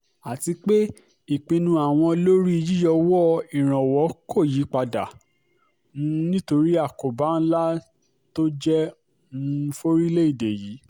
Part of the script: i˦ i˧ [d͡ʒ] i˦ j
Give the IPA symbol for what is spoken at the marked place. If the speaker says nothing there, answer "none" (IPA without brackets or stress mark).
d͡ʒ